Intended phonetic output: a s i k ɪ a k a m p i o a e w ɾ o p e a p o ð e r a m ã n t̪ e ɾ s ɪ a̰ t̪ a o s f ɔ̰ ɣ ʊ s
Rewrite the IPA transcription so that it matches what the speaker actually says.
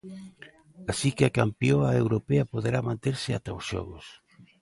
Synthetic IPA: a s i k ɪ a k a m p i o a e w ɾ o p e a p o ð e ɾ a m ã n t̪ e ɾ s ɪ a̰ t̪ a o s ʃ ɔ̰ ɣ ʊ s